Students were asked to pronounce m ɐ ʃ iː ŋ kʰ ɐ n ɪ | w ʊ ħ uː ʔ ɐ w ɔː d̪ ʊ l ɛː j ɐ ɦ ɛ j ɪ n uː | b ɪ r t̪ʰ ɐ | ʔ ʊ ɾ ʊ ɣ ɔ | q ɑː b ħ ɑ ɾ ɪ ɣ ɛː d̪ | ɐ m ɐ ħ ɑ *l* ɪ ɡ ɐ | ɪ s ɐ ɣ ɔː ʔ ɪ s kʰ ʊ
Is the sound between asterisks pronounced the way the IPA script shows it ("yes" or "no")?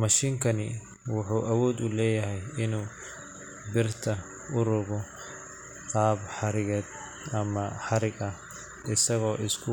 no